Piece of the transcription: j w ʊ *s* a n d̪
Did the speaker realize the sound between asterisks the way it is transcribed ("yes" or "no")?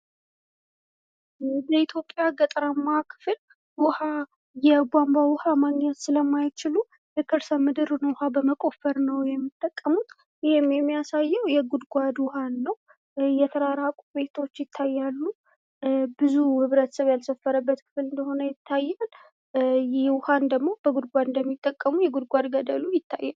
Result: no